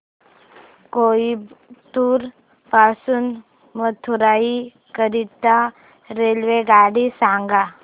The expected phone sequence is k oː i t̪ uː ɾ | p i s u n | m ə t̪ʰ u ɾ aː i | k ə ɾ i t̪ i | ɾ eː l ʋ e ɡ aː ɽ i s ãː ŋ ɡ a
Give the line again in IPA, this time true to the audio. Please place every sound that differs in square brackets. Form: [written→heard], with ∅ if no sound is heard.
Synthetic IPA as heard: k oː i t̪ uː ɾ | p [i→a] s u n | m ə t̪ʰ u ɾ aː i | k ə ɾ i t̪ [i→a] | ɾ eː l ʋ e ɡ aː ɽ i s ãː ŋ ɡ a